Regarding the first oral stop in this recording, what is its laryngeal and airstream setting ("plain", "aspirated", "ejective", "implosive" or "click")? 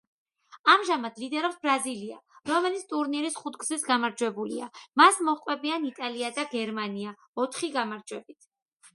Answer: plain